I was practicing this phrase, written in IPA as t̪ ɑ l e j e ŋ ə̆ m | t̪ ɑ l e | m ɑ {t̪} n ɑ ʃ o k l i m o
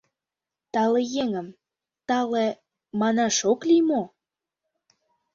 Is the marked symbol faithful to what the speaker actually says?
no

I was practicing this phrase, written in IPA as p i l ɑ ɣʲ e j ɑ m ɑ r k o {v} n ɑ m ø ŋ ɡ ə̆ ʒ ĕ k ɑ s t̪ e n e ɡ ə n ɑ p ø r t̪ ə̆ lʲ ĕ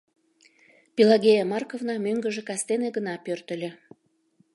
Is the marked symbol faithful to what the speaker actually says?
yes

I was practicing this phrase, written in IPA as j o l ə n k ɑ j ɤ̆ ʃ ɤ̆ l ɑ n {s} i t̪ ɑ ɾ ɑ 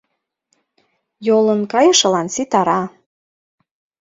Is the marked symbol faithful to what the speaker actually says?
yes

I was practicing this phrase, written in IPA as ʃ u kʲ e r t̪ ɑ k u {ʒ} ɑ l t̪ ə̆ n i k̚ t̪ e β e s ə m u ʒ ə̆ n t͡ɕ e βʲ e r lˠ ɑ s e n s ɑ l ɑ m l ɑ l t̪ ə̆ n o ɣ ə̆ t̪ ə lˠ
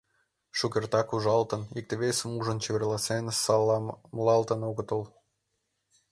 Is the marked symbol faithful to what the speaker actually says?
yes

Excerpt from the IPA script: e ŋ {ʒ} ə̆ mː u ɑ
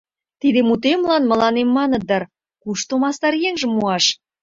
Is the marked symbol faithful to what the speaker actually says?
yes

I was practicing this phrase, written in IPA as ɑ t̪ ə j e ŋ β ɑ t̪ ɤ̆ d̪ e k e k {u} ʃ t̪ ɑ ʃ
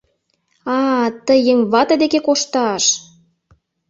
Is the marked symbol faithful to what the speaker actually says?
no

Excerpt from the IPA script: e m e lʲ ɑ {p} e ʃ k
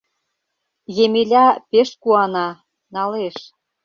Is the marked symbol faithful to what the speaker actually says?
yes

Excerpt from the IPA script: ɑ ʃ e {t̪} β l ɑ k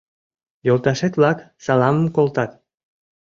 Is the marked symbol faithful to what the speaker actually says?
yes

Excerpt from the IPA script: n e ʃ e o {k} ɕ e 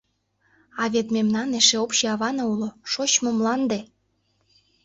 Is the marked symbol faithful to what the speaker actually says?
no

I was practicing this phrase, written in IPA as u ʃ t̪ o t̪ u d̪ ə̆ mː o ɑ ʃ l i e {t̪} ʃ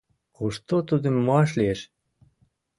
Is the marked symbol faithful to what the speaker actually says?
no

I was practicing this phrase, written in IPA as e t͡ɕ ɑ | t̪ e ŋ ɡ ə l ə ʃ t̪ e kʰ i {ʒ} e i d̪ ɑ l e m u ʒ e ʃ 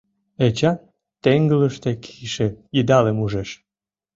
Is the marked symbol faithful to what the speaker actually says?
no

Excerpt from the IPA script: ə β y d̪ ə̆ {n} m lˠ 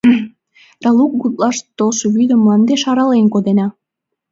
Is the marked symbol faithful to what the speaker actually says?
no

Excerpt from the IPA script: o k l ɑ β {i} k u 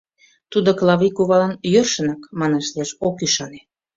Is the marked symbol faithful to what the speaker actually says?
yes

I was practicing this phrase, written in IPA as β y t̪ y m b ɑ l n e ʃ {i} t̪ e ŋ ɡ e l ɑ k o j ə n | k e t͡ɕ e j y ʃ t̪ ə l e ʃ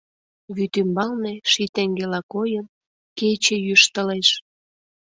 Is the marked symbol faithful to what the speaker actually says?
yes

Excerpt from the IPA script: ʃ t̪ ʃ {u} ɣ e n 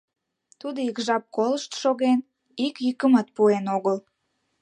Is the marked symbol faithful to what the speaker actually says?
no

